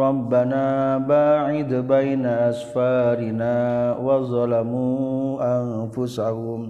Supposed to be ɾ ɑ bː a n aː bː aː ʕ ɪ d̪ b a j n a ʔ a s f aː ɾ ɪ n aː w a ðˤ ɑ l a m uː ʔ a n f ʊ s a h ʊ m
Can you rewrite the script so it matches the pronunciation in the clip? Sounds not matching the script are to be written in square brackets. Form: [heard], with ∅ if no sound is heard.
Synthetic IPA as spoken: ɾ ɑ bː a n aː [b] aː ʕ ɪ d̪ b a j n a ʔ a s f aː ɾ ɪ n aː w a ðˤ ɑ l a m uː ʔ a n f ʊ s a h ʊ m